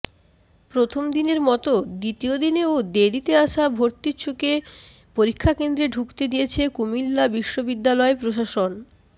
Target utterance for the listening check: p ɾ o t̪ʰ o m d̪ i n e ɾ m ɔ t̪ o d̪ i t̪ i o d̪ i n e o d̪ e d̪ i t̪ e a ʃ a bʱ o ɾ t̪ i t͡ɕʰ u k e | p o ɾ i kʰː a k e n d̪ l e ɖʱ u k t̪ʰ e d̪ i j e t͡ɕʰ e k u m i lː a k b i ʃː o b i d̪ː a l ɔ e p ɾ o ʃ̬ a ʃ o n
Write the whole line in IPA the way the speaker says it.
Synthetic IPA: p ɾ o t̪ʰ o m d̪ i n e ɾ m ɔ t̪ o d̪ i t̪ i o d̪ i n e o d̪ e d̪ i t̪ e a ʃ a bʱ o ɾ t̪ i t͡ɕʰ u k e | p o ɾ i kʰː a k e n d̪ ɾ e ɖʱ u k t̪ e d̪ i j e t͡ɕʰ e k u m i lː a b i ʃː o b i d̪ː a l ɔ e p ɾ o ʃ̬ a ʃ o n